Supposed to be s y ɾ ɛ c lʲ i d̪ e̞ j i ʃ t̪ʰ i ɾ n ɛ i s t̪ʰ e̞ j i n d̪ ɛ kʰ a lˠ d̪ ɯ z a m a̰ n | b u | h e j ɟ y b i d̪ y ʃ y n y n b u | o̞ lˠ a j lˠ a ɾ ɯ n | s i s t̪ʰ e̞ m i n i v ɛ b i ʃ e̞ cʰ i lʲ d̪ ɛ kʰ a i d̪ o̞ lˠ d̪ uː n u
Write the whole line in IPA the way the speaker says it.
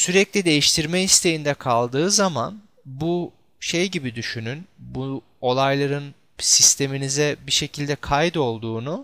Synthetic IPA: s y ɾ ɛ c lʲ i d̪ e̞ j i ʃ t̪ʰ i ɾ m ɛ i s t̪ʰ e̞ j i n d̪ ɛ kʰ a lˠ d̪ ɯː z a m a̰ n | b u | ʃ e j ɟ i b i d̪ y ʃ y n y n b u | o̞ lˠ a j lˠ a ɾ ɯ n | s i s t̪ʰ e̞ m i n i z ɛ b i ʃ e̞ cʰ i lʲ d̪ ɛ kʰ a j d̪ o̞ lˠ d̪ uː n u